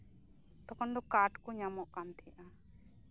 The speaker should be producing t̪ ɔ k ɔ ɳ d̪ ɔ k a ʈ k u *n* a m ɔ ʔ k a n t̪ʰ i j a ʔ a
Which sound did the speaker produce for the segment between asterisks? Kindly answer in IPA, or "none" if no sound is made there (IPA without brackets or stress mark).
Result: ɲ